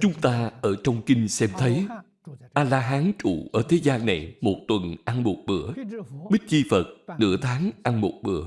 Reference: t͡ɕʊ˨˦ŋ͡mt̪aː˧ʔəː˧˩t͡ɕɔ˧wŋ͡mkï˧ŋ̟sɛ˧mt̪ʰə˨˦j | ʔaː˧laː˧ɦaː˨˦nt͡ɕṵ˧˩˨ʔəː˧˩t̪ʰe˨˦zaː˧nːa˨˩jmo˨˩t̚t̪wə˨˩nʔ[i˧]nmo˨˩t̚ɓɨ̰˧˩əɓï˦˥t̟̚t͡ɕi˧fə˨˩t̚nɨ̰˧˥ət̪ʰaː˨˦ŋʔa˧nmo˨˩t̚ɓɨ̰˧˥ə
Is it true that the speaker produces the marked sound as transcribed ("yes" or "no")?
no